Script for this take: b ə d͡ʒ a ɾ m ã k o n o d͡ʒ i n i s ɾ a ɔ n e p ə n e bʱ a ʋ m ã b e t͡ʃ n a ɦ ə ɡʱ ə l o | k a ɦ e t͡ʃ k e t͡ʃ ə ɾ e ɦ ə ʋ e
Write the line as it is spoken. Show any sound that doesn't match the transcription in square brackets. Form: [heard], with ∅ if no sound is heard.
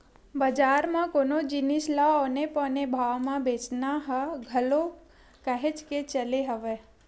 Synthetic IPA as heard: b ə d͡ʒ a ɾ m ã k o n o d͡ʒ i n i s [l] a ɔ n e p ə n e bʱ a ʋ m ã b e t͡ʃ n a ɦ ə ɡʱ ə l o | k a ɦ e t͡ʃ k e t͡ʃ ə [l] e ɦ ə ʋ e